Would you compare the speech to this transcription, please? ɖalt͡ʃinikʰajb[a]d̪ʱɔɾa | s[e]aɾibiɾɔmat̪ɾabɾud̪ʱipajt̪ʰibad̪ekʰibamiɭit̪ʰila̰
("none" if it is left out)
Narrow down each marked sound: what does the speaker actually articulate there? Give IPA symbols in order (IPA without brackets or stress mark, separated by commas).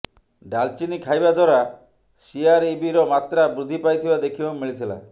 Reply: a, i